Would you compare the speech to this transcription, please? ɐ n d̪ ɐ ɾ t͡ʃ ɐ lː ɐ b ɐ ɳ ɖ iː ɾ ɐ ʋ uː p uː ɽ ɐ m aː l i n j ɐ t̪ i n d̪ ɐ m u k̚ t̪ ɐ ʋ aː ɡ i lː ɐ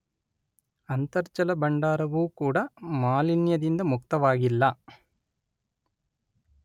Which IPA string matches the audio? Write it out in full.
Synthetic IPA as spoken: ɐ n t̪ ɐ ɾ t͡ʃ ɐ l ɐ b ɐ ɳ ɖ aː ɾ ɐ ʋ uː k uː ɽ ɐ m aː l i n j ɐ d̪ i n d̪ ɐ m u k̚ t̪ ɐ ʋ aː ɡ i lː ɐ